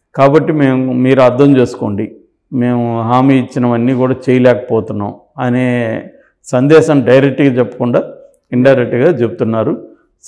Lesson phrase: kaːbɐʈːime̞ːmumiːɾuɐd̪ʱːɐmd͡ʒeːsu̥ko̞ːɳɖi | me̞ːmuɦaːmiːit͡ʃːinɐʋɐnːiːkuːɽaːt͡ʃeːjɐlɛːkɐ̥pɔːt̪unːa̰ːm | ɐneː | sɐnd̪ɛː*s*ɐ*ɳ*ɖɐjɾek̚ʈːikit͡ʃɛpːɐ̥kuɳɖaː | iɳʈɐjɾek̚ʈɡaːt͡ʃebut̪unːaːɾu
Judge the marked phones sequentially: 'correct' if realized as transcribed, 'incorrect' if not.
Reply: incorrect, incorrect

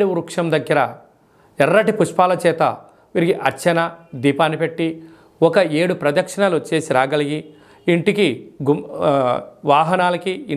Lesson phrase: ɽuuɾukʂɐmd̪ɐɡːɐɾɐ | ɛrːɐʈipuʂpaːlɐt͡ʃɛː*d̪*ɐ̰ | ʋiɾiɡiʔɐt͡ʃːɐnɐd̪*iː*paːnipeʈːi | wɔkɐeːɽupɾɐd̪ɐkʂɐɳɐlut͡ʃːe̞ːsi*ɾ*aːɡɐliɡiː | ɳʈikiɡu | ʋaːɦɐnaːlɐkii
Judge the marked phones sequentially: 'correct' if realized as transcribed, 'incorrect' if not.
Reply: incorrect, correct, correct

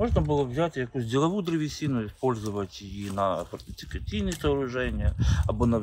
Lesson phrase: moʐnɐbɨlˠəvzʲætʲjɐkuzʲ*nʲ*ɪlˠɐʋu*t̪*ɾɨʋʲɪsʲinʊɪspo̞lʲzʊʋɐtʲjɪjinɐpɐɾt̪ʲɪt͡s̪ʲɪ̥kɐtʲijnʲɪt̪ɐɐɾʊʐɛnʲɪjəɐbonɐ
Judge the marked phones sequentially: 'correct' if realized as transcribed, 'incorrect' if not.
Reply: incorrect, incorrect

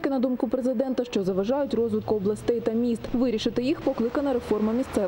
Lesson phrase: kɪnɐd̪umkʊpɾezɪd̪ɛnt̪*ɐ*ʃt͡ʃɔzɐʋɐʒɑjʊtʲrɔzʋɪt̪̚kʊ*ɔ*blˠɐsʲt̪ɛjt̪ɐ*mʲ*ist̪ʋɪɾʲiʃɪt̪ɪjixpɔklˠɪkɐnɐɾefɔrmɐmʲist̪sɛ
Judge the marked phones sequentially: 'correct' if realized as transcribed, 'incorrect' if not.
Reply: correct, correct, correct

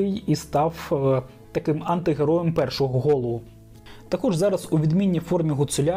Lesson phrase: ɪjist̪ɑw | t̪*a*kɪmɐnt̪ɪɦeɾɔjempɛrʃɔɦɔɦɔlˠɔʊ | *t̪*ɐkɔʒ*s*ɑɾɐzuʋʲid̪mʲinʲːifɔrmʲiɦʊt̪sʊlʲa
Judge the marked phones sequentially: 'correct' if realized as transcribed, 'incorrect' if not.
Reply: incorrect, correct, incorrect

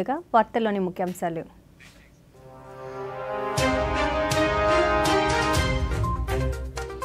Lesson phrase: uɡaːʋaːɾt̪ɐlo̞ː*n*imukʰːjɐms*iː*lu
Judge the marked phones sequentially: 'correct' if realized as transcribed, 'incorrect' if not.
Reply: correct, incorrect

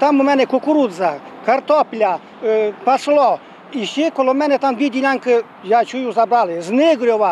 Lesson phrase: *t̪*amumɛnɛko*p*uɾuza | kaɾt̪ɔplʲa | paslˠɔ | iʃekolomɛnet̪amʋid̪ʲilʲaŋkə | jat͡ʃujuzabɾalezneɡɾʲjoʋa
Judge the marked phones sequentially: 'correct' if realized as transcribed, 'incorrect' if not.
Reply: correct, incorrect

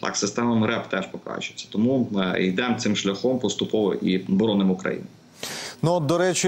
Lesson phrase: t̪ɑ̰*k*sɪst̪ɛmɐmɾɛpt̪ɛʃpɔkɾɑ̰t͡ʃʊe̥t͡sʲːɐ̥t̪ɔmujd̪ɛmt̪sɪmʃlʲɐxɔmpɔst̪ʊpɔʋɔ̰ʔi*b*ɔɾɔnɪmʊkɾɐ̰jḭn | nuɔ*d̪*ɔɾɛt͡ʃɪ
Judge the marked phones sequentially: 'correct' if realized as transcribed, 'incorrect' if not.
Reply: correct, correct, correct

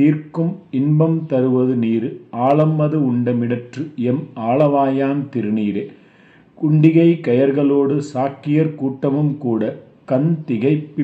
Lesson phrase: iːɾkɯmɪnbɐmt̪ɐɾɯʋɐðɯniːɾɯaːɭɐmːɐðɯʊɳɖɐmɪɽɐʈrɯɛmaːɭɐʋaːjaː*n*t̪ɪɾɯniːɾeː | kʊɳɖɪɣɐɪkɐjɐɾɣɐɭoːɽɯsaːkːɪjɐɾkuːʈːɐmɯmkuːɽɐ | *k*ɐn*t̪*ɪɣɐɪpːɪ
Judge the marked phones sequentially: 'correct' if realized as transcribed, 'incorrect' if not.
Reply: correct, correct, correct

